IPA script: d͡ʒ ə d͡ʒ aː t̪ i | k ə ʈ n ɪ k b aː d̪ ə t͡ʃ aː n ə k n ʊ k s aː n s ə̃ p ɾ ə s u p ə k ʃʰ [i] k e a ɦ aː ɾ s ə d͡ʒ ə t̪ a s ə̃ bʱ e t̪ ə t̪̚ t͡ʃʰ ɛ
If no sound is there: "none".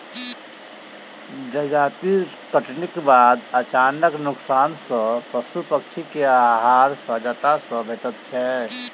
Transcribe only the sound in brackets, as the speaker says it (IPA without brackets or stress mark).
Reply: i